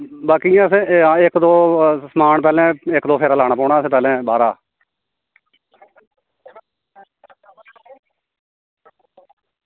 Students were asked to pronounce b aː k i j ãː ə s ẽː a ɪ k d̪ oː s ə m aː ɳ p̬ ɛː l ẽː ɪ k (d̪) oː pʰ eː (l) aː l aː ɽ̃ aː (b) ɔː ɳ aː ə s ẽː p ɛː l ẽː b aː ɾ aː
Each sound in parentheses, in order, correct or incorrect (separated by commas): correct, incorrect, incorrect